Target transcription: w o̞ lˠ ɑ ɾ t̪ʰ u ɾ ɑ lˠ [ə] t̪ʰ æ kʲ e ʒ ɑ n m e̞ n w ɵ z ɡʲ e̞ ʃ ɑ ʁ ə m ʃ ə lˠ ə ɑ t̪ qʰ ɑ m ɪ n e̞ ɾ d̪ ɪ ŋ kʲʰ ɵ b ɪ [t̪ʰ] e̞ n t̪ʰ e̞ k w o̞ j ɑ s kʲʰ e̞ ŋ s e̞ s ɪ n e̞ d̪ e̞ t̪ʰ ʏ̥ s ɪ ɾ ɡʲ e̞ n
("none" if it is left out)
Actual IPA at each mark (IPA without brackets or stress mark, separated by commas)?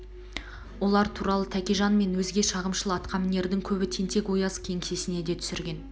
ə, t̪ʰ